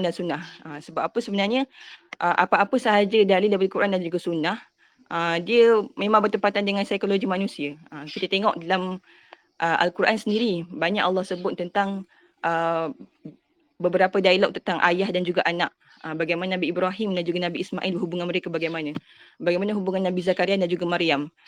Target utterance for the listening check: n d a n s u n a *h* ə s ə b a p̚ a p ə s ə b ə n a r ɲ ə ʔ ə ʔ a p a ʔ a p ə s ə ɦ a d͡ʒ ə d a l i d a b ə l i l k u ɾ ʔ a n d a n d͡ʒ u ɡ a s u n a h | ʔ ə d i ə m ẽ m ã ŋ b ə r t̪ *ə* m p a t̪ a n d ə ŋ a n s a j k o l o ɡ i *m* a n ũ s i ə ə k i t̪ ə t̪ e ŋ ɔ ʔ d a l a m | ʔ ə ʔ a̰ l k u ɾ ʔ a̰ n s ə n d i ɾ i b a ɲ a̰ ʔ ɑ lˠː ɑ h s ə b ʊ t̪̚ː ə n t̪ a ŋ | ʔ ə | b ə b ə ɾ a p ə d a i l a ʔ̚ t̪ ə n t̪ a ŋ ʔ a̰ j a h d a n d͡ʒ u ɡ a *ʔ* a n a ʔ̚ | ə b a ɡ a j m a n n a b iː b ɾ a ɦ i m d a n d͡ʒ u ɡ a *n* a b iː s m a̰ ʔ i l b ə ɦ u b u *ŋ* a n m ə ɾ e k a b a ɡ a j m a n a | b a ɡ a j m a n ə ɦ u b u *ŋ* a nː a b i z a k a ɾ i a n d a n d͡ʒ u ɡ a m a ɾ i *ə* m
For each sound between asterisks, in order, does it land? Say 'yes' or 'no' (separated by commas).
yes, yes, yes, yes, yes, yes, yes, no